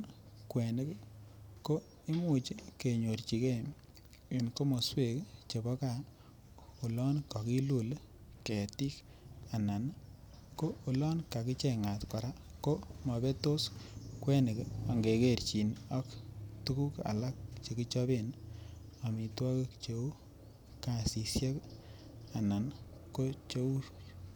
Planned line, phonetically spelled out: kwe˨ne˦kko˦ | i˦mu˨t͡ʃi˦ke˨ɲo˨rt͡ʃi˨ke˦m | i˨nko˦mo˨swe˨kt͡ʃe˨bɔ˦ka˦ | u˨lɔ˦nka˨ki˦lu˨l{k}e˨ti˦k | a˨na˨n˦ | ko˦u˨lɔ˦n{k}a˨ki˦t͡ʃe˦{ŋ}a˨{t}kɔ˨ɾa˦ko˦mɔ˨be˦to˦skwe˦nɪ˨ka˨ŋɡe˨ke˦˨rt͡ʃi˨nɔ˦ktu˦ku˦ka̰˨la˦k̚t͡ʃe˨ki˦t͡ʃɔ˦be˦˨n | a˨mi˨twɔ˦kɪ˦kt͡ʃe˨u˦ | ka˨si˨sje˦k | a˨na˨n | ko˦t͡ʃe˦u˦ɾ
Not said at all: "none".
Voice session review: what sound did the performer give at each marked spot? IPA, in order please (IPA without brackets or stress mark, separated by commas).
k, k, ŋ, t